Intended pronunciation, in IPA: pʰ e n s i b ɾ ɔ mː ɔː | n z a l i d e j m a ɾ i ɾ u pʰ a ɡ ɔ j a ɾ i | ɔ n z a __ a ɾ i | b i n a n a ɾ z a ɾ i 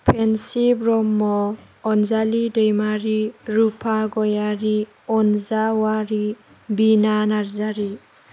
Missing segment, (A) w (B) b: A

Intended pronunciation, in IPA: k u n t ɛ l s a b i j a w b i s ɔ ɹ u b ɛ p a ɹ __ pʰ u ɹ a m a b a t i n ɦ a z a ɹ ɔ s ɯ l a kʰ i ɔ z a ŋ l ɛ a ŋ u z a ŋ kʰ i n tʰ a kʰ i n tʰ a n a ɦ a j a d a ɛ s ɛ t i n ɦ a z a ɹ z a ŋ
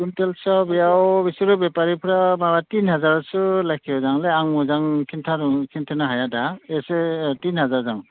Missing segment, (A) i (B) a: A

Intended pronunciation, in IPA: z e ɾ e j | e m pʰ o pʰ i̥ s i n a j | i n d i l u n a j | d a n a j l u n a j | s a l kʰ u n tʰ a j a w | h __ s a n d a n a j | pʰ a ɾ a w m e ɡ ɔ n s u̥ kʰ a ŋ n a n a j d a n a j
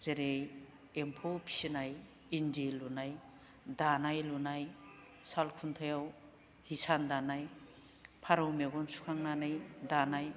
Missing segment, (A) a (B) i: B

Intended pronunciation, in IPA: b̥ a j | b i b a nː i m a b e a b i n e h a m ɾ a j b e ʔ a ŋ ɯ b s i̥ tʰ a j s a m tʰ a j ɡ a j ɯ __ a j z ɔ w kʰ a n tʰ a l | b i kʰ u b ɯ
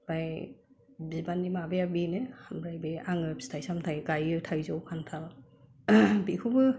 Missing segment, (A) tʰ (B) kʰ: A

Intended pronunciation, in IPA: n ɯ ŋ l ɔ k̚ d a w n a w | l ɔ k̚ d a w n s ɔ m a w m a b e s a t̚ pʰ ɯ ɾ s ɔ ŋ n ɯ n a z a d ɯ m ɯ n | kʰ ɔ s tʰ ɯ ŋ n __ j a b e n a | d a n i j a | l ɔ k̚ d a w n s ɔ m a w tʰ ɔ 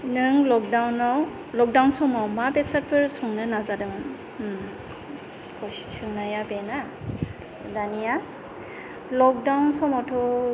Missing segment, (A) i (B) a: B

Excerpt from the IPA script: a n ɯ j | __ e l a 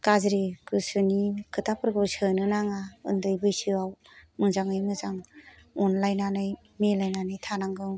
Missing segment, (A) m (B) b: A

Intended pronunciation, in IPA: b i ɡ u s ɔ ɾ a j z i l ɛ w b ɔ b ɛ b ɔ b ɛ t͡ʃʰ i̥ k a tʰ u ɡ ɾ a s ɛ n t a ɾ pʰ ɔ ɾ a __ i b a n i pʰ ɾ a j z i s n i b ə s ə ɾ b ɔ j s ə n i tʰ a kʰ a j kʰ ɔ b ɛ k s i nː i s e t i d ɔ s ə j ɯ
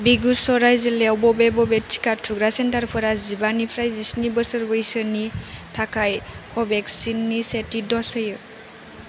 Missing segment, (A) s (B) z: B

